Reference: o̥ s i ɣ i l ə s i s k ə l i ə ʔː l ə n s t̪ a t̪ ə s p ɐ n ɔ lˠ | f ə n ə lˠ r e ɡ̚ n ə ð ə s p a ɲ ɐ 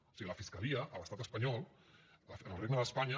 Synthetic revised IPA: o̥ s i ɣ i l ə f i s k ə l i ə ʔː l ə s t̪ a t̪ ə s p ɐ ɲ ɔ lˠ | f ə n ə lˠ r e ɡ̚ n ə ð ə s p a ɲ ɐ